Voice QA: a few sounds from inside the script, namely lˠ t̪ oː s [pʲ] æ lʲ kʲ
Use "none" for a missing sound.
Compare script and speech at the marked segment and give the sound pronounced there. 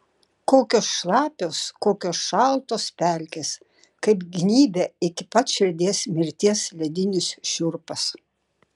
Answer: pʲ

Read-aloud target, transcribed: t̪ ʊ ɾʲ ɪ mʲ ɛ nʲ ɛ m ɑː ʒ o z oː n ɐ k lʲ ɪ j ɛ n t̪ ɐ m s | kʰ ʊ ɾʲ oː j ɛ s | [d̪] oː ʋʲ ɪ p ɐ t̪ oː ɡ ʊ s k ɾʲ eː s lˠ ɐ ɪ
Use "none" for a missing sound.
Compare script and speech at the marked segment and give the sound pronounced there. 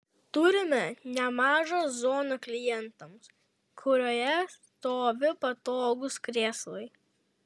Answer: t̪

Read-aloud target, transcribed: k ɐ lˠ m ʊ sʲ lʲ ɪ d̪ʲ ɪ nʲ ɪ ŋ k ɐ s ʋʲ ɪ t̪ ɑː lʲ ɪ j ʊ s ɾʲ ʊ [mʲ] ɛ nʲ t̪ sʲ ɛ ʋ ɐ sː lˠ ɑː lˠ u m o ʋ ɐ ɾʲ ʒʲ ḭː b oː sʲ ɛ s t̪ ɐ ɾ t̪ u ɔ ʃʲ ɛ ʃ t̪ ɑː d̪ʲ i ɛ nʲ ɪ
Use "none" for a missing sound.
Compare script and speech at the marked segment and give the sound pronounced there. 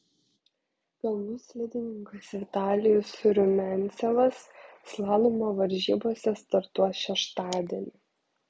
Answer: mʲ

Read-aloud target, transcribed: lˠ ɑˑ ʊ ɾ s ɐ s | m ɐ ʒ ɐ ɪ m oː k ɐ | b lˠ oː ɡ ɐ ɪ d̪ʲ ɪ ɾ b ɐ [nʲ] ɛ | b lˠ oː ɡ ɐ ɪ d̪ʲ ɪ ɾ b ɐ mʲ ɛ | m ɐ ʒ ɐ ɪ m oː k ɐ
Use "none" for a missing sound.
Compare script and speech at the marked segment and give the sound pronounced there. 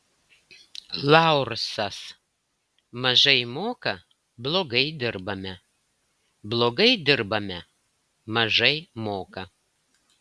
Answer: mʲ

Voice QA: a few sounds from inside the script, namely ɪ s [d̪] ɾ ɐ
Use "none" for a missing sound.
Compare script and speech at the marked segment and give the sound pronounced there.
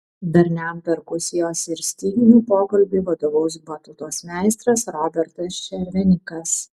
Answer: t̪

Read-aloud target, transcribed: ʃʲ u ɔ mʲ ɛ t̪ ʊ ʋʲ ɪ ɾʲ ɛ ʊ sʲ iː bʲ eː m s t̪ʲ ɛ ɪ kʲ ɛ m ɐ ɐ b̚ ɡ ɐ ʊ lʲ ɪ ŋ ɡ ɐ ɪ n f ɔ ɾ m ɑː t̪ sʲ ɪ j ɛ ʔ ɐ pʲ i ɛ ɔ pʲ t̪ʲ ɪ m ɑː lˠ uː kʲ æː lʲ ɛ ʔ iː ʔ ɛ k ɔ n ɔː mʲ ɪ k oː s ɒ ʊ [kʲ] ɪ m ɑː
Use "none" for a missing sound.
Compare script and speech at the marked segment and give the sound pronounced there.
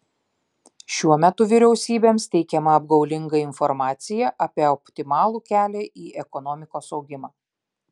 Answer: ɡʲ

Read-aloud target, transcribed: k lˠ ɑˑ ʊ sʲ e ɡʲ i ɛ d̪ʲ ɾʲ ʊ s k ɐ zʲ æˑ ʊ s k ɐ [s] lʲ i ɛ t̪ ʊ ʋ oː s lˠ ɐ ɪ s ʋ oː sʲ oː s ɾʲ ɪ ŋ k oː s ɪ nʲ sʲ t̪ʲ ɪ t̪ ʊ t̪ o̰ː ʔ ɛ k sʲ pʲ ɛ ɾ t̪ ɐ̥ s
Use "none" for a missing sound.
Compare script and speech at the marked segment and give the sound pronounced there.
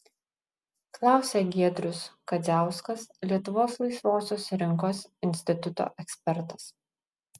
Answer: s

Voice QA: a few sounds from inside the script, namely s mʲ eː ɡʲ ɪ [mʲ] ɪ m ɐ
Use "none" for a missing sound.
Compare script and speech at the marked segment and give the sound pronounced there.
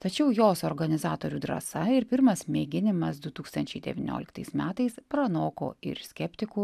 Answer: nʲ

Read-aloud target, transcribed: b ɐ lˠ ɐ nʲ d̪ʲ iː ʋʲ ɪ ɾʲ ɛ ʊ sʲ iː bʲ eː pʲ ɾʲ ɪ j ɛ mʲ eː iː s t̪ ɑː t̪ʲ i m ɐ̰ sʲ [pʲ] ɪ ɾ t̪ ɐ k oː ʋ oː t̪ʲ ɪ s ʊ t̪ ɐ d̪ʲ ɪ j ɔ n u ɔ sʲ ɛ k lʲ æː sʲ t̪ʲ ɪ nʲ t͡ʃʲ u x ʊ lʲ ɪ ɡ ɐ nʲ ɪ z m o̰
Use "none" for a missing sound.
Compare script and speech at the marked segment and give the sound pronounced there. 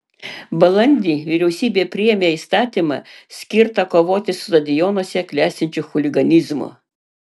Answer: kʲ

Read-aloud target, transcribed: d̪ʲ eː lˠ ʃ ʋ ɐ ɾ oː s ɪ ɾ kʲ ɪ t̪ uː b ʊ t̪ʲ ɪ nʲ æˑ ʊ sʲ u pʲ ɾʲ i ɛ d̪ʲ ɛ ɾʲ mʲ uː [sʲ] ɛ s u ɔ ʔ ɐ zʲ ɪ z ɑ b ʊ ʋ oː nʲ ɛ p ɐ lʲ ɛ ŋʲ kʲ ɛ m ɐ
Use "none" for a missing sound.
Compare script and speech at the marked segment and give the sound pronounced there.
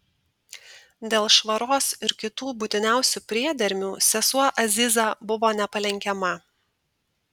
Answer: sʲ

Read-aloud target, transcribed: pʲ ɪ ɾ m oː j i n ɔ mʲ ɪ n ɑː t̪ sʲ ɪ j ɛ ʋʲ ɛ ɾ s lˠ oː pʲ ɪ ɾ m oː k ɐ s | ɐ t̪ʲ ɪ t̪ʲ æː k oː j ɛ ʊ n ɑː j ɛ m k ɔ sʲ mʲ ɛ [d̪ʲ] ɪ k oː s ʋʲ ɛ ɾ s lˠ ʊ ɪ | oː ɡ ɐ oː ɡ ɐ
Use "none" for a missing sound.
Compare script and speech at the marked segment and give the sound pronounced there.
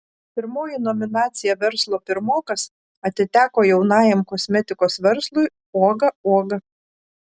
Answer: t̪ʲ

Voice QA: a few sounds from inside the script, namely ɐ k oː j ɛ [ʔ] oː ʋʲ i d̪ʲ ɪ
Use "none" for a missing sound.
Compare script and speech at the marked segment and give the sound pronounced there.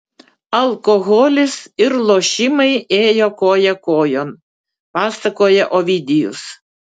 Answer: ʔ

